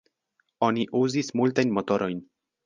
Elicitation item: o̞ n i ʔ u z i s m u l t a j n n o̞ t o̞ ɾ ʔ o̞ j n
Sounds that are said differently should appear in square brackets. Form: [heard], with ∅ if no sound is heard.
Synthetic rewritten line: o̞ n i ʔ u z i s m u l t a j n [m] o̞ t o̞ ɾ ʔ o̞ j n

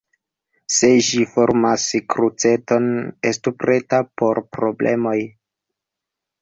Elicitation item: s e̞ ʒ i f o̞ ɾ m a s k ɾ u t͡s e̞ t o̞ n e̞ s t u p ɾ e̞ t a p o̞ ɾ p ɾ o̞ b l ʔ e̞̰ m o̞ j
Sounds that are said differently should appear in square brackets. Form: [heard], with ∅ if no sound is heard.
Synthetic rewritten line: s e̞ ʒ i f o̞ ɾ m a s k ɾ u t͡s e̞ t o̞ n e̞ s t u p ɾ e̞ t a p o̞ ɾ p ɾ o̞ b l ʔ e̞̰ m o̞ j

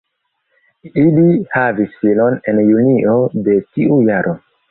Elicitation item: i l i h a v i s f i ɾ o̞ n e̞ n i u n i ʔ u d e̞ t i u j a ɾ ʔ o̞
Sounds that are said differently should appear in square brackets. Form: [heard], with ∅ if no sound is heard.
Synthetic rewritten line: i l i h a v i s f i [l] o̞ n e̞ n [j] u n i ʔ [o] d e̞ t i u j a ɾ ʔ o̞

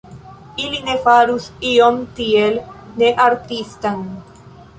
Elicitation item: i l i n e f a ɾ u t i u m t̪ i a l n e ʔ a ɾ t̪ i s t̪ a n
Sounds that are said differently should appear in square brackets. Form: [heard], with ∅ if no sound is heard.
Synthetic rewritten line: i l i n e f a ɾ u [s] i [o] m t̪ i [e] l n e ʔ a ɾ t̪ i s t̪ a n

